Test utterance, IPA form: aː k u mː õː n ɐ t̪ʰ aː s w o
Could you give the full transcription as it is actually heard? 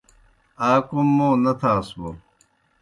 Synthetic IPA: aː k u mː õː n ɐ t̪ʰ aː s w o